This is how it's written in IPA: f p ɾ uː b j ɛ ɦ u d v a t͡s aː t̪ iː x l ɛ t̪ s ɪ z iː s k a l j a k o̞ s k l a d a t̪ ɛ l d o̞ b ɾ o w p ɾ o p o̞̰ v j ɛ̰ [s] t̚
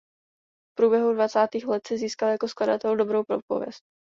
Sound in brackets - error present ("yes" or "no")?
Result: no